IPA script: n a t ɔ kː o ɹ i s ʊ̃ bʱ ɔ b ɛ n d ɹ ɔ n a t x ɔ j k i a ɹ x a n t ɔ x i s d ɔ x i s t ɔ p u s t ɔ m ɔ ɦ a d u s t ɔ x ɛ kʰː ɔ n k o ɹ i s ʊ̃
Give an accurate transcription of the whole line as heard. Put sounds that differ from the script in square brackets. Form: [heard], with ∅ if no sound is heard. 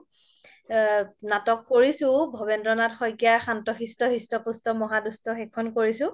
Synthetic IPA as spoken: n a t ɔ kː o ɹ i s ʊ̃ bʱ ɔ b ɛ n d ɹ ɔ n a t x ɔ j k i a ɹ x a n t ɔ x i s [t] ɔ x i s t ɔ p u s t ɔ m ɔ ɦ a d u s t ɔ x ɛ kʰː ɔ n k o ɹ i s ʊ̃